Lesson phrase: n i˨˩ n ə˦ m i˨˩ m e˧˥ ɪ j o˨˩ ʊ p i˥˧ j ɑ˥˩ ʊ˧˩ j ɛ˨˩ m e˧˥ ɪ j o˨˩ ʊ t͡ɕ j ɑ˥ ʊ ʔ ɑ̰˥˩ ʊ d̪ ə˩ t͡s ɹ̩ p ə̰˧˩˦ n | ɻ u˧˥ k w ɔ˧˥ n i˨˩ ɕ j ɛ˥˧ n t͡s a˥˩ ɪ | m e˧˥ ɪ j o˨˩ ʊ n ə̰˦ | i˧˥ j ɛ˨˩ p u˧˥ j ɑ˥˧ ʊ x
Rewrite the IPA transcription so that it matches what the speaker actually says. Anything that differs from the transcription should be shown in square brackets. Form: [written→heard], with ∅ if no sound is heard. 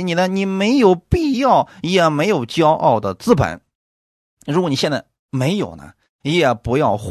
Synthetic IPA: n i˨˩ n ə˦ [m→n] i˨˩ m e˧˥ ɪ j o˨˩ ʊ p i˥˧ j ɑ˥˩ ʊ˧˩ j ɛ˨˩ m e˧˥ ɪ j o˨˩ ʊ t͡ɕ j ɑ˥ ʊ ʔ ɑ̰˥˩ ʊ d̪ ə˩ t͡s ɹ̩ p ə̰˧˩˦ n | ɻ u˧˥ k w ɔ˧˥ n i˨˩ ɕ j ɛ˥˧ n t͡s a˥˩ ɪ | m e˧˥ ɪ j o˨˩ ʊ n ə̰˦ | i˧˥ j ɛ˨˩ p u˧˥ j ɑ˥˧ ʊ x